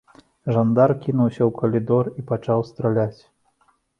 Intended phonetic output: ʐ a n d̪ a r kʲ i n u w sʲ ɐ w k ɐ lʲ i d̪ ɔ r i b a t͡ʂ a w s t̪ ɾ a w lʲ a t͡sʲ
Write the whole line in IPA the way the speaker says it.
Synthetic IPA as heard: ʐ a n d̪ a r kʲ i n u w sʲ ɐ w k ɐ lʲ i d̪ ɔ r i p a t͡ʂ a w s t̪ ɾ a lʲ a t͡sʲ